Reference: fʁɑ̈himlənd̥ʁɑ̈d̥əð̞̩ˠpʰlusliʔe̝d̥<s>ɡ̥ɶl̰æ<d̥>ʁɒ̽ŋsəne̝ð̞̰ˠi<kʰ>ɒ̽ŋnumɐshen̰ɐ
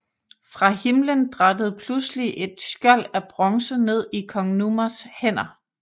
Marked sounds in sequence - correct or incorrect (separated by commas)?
correct, incorrect, correct